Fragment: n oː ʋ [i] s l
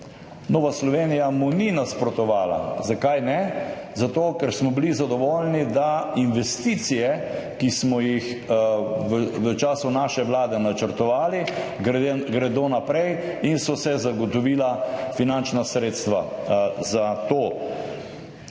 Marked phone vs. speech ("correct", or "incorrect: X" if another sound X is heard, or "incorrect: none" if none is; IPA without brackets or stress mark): incorrect: a